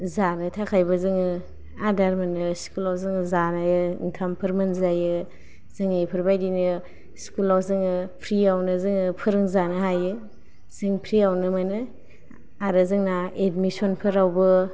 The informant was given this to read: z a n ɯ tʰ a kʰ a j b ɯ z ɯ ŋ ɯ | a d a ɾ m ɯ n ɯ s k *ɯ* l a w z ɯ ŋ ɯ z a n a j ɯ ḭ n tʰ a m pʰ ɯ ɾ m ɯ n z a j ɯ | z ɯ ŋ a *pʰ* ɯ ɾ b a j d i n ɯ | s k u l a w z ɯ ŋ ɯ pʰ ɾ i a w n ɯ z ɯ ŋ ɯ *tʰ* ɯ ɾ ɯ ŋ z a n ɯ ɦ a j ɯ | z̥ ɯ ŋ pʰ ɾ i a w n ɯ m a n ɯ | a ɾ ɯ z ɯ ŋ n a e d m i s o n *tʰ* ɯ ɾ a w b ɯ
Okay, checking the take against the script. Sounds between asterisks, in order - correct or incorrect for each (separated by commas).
incorrect, correct, incorrect, incorrect